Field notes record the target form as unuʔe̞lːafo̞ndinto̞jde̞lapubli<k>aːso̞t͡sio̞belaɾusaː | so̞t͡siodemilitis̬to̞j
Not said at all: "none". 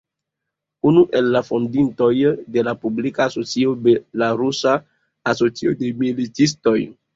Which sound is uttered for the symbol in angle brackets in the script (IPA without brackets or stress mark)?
k